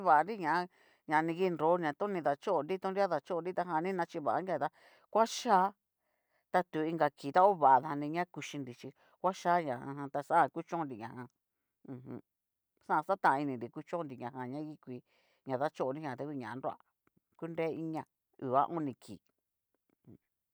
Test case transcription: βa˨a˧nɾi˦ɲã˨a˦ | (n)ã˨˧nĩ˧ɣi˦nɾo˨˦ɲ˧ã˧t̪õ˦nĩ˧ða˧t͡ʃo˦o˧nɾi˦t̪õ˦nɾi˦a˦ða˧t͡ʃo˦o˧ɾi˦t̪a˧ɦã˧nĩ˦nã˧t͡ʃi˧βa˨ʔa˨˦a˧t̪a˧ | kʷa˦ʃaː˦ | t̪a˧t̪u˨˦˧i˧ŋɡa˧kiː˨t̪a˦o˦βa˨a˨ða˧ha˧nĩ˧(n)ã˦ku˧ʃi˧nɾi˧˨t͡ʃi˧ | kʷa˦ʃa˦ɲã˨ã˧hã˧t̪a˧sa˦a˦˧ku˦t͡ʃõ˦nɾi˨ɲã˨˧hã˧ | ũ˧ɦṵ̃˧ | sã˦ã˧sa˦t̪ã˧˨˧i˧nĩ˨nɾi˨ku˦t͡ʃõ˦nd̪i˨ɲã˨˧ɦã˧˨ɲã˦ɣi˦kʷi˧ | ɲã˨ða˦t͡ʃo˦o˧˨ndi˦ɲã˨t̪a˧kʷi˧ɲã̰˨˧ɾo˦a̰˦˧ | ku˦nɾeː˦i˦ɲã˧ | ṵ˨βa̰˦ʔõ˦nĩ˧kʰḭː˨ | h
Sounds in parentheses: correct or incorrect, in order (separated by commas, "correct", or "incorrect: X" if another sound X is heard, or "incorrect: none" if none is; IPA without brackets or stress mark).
incorrect: ɲ, incorrect: ɲ